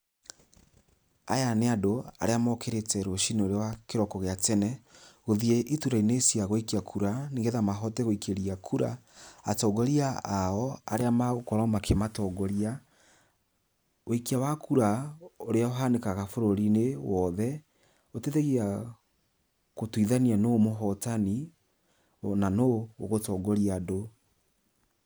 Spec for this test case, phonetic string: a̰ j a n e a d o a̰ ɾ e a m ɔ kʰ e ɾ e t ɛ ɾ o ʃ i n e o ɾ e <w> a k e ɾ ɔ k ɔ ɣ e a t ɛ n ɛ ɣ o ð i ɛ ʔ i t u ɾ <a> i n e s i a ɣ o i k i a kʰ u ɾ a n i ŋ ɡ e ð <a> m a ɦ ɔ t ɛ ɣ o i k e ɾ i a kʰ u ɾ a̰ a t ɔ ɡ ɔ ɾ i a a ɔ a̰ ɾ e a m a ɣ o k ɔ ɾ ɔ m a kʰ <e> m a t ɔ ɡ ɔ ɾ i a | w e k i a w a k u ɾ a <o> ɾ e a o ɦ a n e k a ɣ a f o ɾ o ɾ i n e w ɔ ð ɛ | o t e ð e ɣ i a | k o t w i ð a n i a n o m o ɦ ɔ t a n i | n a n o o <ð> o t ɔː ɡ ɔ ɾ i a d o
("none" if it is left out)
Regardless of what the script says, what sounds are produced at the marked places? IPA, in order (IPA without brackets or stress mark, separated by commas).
w, a, a, e, o, ɣ